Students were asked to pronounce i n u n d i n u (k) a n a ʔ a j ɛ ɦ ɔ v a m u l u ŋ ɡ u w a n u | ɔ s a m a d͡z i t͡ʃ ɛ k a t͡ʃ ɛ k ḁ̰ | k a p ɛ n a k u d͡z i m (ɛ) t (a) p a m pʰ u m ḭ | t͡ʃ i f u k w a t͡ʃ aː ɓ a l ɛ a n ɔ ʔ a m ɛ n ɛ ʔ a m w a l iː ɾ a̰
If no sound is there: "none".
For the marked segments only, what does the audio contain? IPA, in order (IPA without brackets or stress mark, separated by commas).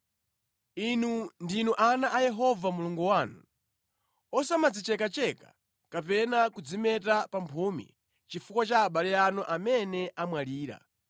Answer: ʔ, ɛ, a